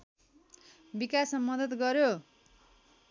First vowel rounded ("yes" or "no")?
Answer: no